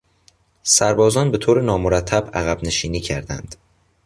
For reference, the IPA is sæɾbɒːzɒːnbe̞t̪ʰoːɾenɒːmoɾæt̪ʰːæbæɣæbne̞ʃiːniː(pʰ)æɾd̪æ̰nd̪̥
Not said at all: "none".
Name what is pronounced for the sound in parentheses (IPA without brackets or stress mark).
cʰ